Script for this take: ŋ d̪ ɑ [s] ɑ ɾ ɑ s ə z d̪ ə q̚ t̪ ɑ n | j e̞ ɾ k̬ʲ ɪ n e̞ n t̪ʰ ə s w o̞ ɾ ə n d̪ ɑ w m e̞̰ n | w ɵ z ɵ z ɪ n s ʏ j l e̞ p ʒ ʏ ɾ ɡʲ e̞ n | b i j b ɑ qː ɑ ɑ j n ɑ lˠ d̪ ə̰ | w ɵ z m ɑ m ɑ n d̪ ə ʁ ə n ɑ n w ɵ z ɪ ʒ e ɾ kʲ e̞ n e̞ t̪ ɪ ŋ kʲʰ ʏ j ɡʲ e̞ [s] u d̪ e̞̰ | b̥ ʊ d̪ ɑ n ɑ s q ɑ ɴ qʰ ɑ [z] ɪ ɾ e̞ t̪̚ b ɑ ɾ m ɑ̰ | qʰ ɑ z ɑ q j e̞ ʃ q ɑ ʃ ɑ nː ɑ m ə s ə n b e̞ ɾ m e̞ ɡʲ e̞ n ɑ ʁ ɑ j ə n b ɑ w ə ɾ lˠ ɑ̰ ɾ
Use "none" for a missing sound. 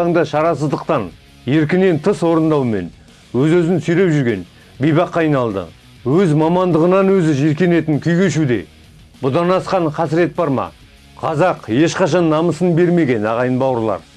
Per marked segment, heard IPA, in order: ʃ, ʃ, s

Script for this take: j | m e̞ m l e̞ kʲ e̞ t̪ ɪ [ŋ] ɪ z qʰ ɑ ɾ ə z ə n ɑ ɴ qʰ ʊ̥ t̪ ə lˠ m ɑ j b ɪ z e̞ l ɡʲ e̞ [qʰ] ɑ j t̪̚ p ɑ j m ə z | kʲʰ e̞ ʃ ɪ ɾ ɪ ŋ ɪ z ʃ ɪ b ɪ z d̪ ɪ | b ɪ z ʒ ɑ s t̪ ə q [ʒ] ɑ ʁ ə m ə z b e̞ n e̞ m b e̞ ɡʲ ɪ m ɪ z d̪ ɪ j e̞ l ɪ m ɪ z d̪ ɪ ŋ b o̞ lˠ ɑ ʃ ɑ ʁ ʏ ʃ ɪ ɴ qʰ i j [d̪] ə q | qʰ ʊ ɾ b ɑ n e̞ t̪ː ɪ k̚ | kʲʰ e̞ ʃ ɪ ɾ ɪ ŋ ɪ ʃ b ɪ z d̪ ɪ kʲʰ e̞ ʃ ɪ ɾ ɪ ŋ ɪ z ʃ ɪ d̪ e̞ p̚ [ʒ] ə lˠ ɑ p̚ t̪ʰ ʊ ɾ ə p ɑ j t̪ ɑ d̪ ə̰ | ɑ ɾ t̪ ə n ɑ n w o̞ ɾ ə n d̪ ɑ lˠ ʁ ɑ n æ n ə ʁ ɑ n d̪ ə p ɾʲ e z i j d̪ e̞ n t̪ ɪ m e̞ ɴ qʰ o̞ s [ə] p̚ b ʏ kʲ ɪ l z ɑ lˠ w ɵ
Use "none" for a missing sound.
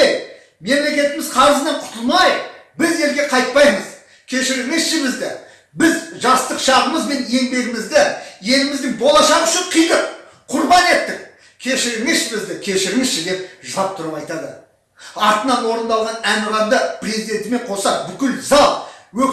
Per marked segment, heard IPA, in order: m, qʰ, ʃ, d̪, ʒ, ɑ

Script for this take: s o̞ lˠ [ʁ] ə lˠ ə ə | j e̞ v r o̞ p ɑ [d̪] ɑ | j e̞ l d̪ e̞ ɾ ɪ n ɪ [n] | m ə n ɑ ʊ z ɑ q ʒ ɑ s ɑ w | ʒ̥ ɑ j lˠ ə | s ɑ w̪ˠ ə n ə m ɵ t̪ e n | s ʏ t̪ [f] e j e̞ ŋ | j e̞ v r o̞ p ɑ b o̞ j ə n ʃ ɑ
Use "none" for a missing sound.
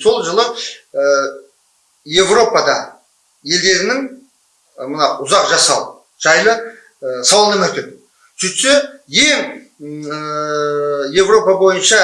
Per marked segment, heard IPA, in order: ʒ, d̪, ŋ, s

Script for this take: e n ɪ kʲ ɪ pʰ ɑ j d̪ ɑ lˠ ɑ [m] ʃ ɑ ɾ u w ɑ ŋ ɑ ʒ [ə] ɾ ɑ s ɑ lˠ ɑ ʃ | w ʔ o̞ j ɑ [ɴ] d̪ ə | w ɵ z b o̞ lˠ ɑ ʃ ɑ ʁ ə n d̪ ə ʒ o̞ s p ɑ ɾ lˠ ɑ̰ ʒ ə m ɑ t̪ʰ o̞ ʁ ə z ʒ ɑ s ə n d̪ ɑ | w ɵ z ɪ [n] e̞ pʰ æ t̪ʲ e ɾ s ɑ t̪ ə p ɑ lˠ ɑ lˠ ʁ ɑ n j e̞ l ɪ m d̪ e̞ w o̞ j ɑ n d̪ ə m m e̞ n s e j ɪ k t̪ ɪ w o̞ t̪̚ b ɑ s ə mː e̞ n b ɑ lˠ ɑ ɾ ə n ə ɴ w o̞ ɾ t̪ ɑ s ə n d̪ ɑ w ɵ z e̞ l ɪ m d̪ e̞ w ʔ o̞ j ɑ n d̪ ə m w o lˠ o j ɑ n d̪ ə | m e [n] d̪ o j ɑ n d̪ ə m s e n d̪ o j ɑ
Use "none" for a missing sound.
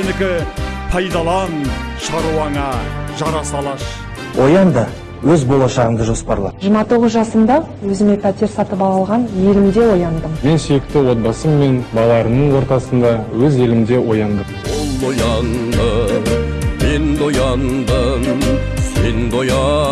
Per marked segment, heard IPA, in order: n, ɑ, n, m, n

